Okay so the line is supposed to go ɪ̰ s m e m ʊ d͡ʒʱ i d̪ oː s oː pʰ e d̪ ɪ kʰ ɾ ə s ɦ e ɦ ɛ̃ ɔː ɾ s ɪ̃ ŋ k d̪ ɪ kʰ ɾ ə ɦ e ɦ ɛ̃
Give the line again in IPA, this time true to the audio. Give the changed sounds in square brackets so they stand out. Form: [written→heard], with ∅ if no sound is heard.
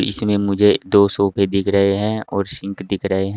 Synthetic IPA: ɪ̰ s m [e→ẽ] m ʊ d͡ʒʱ [i→e] d̪ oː s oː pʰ e d̪ ɪ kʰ ɾ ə [s→∅] ɦ e ɦ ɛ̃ ɔː ɾ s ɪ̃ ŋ k d̪ ɪ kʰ ɾ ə ɦ e ɦ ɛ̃